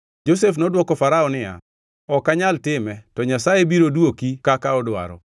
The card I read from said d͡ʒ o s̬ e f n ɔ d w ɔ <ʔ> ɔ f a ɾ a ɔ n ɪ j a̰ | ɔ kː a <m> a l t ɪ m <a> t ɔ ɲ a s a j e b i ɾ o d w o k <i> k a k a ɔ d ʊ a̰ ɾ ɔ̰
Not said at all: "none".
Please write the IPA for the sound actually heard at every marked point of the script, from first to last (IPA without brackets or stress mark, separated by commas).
k, ɲ, ɛ, i